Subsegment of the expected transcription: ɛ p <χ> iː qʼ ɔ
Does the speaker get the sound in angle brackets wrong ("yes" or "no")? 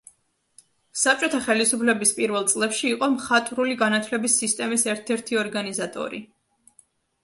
yes